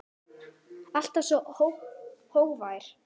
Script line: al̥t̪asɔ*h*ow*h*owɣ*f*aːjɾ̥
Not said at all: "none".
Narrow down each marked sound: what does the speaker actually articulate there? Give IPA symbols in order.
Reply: h, h, v

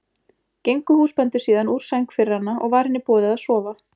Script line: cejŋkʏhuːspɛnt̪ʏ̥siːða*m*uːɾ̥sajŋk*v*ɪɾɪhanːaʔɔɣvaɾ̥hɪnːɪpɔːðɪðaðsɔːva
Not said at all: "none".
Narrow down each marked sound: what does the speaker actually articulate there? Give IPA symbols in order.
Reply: n, f

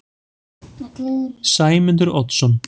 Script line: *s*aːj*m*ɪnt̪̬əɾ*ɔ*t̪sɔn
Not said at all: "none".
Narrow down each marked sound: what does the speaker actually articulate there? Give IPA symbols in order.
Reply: s, m, ɔ

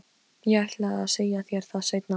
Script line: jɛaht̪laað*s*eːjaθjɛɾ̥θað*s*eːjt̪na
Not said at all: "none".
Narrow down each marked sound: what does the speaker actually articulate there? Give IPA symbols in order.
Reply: s, s

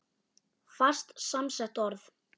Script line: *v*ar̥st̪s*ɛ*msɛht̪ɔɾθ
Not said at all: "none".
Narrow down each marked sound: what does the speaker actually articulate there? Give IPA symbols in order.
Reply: f, a

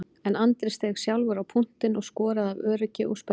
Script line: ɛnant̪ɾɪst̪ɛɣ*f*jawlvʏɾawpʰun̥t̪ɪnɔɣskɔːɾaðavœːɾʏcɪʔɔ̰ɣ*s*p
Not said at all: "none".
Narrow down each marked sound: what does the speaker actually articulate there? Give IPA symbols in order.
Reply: s, s

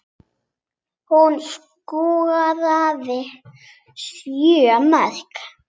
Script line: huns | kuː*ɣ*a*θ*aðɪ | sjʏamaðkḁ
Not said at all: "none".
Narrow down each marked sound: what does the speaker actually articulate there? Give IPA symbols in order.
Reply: ɣ, ð

